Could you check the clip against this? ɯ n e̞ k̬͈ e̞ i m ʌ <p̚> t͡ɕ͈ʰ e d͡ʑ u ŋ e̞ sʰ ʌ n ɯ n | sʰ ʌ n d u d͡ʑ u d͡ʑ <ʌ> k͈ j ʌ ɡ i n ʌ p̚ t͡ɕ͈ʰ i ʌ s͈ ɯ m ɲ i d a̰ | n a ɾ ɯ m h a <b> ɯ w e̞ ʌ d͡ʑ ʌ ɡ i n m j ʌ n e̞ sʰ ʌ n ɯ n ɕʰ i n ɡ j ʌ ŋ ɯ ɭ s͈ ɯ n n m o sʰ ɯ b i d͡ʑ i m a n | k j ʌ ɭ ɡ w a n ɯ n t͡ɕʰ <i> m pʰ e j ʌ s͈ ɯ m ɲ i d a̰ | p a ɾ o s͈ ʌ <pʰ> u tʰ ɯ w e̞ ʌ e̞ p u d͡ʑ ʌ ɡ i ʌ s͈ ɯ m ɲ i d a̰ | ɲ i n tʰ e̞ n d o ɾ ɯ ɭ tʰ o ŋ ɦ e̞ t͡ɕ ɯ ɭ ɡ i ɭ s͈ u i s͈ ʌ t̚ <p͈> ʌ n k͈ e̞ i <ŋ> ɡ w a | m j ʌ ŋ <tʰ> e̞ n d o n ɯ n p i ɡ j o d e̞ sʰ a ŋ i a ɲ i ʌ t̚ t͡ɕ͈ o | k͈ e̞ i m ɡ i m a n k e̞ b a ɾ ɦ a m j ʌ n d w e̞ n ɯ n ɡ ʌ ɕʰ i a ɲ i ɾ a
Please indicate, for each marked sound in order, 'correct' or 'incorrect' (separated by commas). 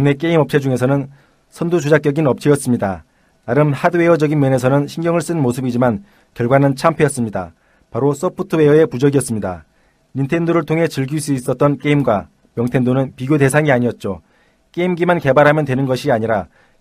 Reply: correct, incorrect, incorrect, incorrect, correct, incorrect, incorrect, correct